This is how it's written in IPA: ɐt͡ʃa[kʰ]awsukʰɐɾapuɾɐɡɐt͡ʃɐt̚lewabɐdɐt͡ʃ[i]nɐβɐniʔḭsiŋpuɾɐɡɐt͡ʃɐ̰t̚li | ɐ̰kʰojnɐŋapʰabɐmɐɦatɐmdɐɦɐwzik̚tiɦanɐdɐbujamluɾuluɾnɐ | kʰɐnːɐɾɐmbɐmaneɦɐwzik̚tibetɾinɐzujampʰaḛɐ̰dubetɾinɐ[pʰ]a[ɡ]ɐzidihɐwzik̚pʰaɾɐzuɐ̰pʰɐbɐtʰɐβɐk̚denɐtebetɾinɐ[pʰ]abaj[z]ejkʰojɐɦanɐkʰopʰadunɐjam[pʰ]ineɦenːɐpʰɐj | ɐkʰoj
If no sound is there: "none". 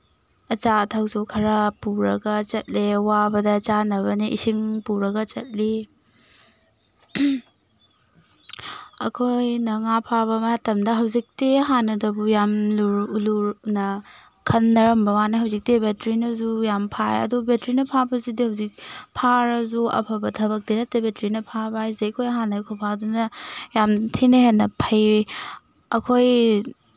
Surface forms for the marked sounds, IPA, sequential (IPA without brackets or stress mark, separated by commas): tʰ, a, pʰ, b, pʰ, z, tʰ